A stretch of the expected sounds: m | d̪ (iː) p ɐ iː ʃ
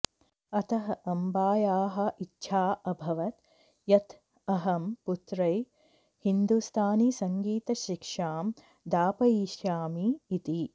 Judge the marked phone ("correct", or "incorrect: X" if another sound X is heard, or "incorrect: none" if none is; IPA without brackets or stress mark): incorrect: aː